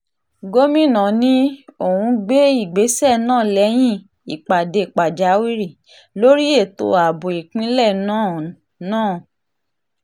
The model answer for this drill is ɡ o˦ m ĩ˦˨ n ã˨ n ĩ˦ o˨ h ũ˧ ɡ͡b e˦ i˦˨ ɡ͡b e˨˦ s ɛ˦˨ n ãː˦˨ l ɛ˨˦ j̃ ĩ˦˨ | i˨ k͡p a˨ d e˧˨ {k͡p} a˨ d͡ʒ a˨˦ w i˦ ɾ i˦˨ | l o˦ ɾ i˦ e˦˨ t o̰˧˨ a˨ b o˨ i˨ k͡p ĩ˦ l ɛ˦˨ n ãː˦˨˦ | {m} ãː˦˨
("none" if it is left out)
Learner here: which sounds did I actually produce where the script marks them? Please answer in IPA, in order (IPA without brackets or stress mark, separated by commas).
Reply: k͡p, n